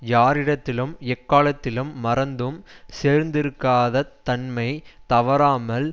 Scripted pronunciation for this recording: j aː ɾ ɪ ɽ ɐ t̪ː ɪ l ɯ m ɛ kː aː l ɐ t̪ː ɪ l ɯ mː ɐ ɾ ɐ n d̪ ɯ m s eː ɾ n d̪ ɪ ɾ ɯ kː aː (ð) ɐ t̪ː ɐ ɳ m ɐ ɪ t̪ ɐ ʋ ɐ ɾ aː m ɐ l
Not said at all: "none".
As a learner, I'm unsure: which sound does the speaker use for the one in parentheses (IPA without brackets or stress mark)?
ð